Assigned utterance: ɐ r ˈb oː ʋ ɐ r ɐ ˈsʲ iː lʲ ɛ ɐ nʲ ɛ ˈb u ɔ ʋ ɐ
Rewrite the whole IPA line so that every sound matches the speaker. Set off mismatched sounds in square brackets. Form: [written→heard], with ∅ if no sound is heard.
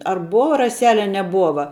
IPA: ɐ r ˈb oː ʋ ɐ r ɐ ˈsʲ [iː→æː] lʲ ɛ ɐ nʲ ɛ ˈb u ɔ ʋ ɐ